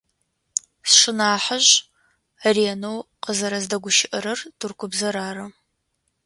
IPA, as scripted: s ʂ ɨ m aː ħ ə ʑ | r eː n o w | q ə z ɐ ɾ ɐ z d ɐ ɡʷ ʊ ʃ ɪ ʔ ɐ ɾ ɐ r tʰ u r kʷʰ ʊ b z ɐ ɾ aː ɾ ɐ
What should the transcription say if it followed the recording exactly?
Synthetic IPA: s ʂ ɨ n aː ħ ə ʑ | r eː n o w | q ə z ɐ ɾ ɐ z d ɐ ɡʷ ʊ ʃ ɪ ʔ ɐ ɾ ɐ r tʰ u r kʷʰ ʊ b z ɐ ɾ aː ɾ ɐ